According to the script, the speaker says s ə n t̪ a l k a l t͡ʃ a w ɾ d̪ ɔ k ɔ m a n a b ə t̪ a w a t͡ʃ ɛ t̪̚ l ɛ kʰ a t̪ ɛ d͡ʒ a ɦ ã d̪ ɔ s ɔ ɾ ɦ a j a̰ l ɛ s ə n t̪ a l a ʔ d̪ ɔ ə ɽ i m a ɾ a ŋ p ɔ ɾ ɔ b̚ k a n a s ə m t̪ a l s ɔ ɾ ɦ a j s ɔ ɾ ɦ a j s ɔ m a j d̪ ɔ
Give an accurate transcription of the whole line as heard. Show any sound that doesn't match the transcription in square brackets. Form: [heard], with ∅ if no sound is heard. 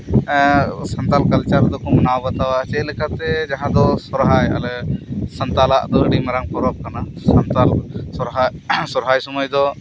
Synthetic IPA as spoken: s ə n t̪ a l k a l t͡ʃ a [∅] ɾ d̪ ɔ k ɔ m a n a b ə t̪ a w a t͡ʃ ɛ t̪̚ l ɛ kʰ a t̪ ɛ d͡ʒ a ɦ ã d̪ ɔ s ɔ ɾ ɦ a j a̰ l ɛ s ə n t̪ a l a ʔ d̪ ɔ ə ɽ i m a ɾ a ŋ p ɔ ɾ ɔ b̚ k a n a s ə [n] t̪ a l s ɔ ɾ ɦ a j s ɔ ɾ ɦ a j s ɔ m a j d̪ ɔ